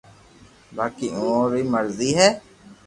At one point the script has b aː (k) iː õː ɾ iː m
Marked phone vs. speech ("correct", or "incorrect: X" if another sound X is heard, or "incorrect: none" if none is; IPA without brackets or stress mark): correct